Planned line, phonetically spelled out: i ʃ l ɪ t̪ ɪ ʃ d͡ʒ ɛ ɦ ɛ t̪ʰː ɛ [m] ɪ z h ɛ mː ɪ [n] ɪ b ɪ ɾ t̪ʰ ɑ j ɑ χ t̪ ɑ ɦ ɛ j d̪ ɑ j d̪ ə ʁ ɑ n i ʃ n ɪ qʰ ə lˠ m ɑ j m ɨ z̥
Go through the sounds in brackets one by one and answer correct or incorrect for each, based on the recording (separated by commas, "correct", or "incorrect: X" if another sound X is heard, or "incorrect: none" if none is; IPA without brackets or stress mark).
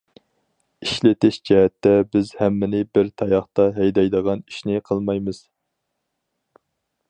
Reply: incorrect: b, correct